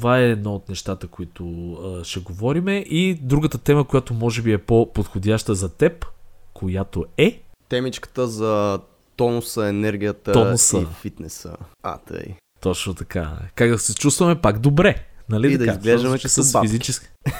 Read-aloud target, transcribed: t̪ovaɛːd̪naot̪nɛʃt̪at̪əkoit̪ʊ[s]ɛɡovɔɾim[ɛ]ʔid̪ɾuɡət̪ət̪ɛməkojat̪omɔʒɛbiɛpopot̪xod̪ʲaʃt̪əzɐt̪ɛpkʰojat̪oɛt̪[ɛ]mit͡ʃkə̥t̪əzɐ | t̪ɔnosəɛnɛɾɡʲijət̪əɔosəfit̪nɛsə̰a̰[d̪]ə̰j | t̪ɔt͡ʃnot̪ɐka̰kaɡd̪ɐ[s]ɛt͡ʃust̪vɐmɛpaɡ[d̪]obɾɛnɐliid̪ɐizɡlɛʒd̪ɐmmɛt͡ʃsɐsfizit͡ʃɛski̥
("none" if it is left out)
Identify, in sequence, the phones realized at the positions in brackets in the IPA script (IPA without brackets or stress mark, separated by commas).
ʃ, ɛ, ɛ, t̪, s, d̪